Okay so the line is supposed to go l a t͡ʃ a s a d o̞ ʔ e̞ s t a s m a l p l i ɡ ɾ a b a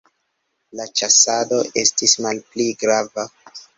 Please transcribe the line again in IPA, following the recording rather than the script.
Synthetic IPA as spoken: l a t͡ʃ a s a d o̞ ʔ e̞ s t i s m a l p l i ɡ ɾ a v a